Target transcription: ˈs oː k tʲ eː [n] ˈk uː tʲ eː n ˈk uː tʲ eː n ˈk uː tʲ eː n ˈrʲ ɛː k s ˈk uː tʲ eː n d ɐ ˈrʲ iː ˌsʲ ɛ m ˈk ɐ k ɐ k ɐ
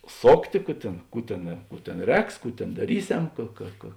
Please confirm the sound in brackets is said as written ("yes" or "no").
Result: no